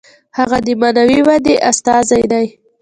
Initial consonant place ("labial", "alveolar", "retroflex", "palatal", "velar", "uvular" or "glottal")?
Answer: glottal